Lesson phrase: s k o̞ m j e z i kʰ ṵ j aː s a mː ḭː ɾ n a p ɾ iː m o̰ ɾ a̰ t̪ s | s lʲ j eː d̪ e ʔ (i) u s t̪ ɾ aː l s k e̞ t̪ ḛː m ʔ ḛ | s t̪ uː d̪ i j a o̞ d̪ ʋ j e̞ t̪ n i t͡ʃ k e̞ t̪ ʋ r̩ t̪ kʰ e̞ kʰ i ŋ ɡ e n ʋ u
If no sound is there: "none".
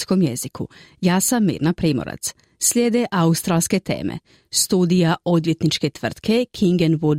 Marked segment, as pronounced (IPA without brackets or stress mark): a